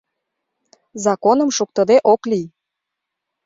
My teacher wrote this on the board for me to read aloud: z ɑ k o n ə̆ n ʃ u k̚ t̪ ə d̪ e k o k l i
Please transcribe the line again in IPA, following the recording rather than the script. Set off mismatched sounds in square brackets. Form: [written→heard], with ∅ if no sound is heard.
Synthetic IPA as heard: z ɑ k o n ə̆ [n→m] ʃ u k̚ t̪ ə d̪ e [k→ʔ] o k l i